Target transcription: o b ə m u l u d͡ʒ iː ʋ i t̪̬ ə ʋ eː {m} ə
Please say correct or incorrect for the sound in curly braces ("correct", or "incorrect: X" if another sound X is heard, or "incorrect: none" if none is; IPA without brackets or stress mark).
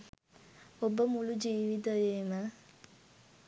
correct